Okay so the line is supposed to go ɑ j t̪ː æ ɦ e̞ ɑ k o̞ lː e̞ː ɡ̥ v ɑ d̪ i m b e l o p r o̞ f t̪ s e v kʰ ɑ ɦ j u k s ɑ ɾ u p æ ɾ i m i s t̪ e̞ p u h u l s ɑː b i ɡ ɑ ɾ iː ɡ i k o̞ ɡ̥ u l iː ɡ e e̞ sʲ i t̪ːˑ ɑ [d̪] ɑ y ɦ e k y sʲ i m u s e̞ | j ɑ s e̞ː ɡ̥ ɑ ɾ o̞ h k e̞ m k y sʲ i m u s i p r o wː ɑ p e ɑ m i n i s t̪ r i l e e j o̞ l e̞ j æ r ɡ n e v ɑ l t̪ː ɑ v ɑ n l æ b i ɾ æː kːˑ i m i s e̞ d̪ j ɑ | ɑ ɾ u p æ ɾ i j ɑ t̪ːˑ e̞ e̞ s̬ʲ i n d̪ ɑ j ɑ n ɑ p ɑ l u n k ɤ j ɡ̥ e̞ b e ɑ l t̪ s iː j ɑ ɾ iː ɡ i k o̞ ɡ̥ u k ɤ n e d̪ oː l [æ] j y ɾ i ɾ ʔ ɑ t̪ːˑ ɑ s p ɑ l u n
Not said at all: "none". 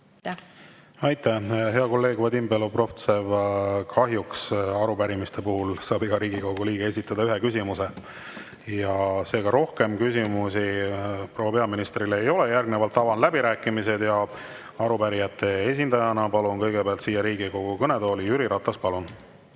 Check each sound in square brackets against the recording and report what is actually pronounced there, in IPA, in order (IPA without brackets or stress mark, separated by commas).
d̪, i